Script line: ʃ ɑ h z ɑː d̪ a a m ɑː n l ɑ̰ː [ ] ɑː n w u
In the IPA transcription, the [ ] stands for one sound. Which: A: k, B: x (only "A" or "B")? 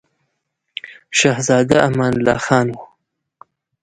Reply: B